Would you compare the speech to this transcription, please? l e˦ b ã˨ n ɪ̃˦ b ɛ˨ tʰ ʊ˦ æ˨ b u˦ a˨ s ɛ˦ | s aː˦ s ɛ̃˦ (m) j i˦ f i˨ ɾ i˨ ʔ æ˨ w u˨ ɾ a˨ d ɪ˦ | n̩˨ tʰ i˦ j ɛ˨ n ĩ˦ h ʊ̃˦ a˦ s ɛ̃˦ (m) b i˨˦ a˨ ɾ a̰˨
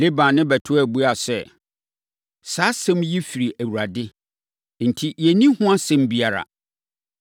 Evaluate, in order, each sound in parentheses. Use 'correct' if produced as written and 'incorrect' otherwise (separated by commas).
correct, correct